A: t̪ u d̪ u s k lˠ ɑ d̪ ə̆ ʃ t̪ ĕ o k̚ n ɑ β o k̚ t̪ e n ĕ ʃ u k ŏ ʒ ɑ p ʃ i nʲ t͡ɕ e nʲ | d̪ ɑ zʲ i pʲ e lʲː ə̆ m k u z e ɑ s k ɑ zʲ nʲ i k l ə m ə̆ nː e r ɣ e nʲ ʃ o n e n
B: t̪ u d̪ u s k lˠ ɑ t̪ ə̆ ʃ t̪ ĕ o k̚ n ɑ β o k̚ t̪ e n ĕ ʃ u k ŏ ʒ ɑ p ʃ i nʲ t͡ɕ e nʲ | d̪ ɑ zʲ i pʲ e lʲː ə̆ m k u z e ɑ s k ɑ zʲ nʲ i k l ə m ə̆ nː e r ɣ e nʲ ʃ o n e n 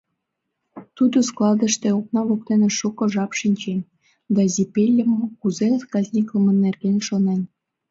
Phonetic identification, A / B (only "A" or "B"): A